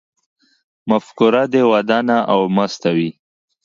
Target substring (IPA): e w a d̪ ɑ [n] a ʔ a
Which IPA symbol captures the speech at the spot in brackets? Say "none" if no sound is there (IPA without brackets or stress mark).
n